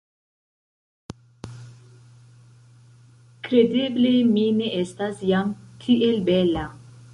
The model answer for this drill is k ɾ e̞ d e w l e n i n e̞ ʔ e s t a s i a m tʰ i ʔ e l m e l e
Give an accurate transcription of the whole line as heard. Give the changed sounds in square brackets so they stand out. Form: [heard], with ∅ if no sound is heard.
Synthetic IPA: k ɾ e̞ d e [b] l e [m] i n e̞ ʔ e s t a s [j] a m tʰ i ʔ e l [b] e l [a]

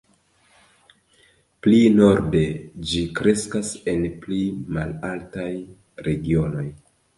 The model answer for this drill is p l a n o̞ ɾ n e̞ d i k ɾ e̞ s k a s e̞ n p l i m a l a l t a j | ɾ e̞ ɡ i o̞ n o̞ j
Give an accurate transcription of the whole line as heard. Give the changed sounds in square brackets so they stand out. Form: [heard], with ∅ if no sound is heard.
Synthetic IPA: p l [i] n o̞ ɾ [d] e̞ [d͡ʒ] i k ɾ e̞ s k a s e̞ n p l i m a l a l t a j | ɾ e̞ ɡ i o̞ n o̞ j

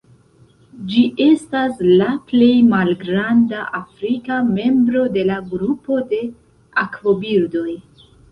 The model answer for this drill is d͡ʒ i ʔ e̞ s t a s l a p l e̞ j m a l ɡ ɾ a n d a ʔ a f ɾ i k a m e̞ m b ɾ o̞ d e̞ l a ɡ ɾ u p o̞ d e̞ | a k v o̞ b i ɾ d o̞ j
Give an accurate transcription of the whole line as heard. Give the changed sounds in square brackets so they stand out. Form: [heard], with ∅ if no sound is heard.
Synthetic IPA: d͡ʒ i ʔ e̞ s t a s l a p l e̞ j m a l ɡ ɾ a n d a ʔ a f ɾ i k a m e̞ m b ɾ o̞ d e̞ l a ɡ ɾ u p o̞ d e̞ | a k v o̞ b i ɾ d o̞ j

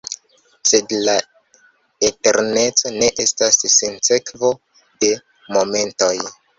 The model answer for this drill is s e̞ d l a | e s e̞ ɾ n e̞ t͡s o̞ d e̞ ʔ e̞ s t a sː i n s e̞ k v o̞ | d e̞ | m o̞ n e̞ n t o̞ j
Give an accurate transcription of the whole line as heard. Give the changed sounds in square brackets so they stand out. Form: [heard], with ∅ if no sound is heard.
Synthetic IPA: s e̞ d l a | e [t] e̞ ɾ n e̞ t͡s o̞ [n] e̞ ʔ e̞ s t a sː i n s e̞ k v o̞ | d e̞ | m o̞ [m] e̞ n t o̞ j

